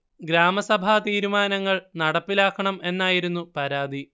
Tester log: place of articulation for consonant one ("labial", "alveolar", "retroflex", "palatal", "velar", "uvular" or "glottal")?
velar